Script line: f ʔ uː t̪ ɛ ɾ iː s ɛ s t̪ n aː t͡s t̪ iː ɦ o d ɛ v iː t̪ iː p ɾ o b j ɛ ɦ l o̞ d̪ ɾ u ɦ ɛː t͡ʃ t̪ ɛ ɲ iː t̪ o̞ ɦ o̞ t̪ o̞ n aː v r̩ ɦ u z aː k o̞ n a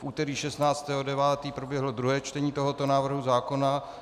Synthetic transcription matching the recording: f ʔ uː t̪ ɛ ɾ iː ʃ ɛ s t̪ n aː t͡s t̪ ɛː ɦ o d ɛ v aː t̪ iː p ɾ o b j ɛ ɦ l o̞ d̪ ɾ u ɦ ɛː t͡ʃ t̪ ɛ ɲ iː t̪ o̞ ɦ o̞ t̪ o̞ n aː v r̩ ɦ u z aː k o̞ n a